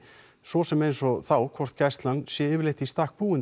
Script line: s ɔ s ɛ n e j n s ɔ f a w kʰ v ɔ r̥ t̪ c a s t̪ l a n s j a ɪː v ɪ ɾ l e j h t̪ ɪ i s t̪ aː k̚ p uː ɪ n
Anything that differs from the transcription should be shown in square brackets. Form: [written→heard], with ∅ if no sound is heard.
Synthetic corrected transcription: s ɔ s ɛ [n→m] e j n s ɔ [f→θ] a w kʰ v ɔ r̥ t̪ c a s t̪ l a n s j [a→ɛ] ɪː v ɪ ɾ l e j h t̪ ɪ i s t̪ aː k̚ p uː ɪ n

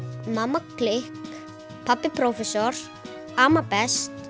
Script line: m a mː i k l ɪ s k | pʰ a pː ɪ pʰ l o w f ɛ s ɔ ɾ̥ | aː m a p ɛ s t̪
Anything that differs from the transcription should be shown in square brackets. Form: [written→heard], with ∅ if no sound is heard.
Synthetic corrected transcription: m a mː [i→a] k l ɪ [s→h] k | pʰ a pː ɪ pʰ [l→ɾ] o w f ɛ s ɔ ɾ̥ | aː m a p ɛ s t̪

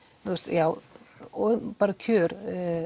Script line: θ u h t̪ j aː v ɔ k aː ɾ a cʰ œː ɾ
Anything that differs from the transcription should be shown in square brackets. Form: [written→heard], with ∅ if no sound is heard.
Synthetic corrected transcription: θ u [h→s] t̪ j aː [v→w] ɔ [k→p] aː ɾ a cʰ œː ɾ

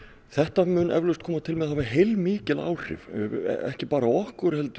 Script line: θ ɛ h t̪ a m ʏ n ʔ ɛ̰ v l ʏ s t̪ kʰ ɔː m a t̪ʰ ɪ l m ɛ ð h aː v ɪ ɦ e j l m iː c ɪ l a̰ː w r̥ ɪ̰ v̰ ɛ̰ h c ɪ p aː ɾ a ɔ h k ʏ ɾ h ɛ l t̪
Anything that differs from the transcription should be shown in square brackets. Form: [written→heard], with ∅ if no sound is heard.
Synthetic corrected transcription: θ ɛ h t̪ a m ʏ n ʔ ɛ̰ v l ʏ s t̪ kʰ ɔː m a t̪ʰ ɪ l m ɛ ð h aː v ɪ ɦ e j l m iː c ɪ l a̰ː w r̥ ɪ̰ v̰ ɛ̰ h c ɪ p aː ɾ a ɔ h k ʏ ɾ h ɛ l t̪

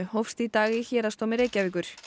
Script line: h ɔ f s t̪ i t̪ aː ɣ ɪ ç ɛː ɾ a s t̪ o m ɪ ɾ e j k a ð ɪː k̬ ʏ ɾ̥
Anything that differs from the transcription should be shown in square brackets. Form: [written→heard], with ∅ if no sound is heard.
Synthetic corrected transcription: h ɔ f s t̪ i t̪ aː ɣ ɪ ç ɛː ɾ a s t̪ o m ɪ ɾ e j [k→c] a [ð→v] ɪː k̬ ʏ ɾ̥

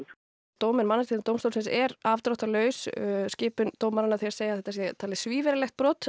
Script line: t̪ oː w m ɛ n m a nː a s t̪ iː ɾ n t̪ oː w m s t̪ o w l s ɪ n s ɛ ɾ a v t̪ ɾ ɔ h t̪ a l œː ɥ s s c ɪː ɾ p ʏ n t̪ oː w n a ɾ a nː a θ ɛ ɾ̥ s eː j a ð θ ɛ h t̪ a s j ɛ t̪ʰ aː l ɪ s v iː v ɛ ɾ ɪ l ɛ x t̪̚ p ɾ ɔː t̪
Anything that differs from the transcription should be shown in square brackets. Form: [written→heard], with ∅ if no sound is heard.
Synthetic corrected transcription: t̪ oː w m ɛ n m a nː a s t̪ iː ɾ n t̪ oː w m s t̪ o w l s ɪ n s ɛ ɾ a v t̪ ɾ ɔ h t̪ a l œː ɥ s s c ɪː [ɾ→∅] p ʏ n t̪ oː w [n→m] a ɾ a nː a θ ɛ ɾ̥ s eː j a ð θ ɛ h t̪ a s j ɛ t̪ʰ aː l ɪ s v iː v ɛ ɾ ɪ l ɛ x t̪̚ p ɾ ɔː t̪

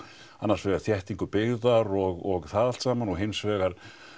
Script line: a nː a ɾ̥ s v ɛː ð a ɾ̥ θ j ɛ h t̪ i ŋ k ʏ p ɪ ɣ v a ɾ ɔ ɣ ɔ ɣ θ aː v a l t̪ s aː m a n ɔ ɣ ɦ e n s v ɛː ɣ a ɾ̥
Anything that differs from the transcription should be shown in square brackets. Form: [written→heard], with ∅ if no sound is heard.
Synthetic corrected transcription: a nː a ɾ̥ s v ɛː [ð→ɣ] a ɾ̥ θ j ɛ h t̪ i ŋ k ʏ p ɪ ɣ [v→ð] a ɾ ɔ ɣ ɔ ɣ θ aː [v→ð] a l t̪ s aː m a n ɔ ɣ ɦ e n s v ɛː ɣ a ɾ̥

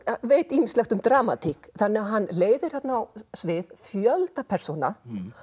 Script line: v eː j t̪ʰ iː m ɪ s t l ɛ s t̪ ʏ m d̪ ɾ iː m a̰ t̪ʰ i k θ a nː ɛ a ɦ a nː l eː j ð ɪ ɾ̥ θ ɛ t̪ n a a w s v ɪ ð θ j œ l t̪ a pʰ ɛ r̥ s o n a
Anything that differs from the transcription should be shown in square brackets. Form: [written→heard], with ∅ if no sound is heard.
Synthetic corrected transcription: v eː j [t̪ʰ→t̪] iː m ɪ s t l ɛ [s→x] t̪ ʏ m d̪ ɾ [iː→aː] m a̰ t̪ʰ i k θ a nː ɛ a ɦ a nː l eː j ð ɪ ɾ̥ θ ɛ t̪ n a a w s v ɪ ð [θ→f] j œ l t̪ a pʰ ɛ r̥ s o n a

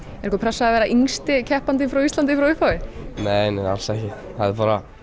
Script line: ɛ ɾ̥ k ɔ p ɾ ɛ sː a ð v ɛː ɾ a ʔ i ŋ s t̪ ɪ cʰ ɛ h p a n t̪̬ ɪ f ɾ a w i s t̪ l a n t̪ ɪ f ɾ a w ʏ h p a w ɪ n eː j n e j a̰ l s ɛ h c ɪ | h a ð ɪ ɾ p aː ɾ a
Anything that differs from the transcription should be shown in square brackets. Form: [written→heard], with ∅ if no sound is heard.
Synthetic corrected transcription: ɛ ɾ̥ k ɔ p ɾ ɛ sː a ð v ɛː ɾ a ʔ i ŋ s t̪ ɪ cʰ ɛ h p a n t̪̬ ɪ f ɾ a w i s t̪ l a n t̪ ɪ f ɾ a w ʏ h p a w ɪ n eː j n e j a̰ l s ɛ h c ɪ | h a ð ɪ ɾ p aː ɾ a

